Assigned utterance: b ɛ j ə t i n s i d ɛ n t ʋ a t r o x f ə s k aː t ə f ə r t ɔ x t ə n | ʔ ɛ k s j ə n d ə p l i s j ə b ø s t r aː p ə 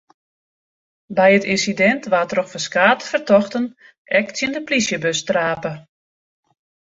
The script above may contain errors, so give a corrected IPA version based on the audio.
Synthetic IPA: b ɛ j ə t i n s i d ɛ n t ʋ a t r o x f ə s k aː t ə f ə r t ɔ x t ə n | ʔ ɛ k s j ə n d ə p l i s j ə b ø s t r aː p ə